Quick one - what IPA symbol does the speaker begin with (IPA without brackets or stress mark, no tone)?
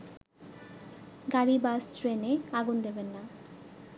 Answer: ɡ